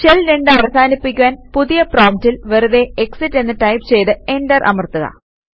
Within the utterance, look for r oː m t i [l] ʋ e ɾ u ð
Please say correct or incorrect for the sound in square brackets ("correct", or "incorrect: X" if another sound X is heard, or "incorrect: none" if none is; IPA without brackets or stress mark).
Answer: correct